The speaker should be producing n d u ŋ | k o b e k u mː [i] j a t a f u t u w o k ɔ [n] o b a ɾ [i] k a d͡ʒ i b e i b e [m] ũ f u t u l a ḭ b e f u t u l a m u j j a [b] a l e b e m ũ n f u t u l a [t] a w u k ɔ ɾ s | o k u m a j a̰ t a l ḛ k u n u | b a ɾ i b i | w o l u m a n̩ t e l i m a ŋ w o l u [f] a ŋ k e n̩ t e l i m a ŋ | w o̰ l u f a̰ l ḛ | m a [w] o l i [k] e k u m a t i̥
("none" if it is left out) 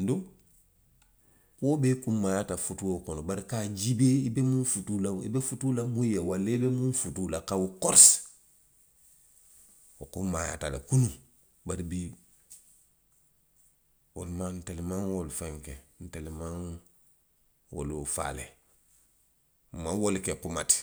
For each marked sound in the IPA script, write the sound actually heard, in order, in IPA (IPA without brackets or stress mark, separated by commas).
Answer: a, n, i, m, w, k, f, w, k